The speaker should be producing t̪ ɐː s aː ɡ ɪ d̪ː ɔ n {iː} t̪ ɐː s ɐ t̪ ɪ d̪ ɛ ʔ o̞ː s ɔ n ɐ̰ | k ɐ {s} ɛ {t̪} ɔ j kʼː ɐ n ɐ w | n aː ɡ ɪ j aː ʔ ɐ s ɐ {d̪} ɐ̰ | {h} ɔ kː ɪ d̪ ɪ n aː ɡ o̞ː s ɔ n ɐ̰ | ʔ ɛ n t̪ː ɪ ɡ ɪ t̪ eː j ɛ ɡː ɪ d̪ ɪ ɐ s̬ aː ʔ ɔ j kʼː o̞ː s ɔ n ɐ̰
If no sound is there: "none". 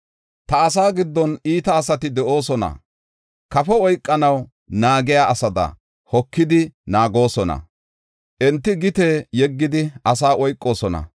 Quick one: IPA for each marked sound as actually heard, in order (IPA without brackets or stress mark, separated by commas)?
iː, f, none, d̪, h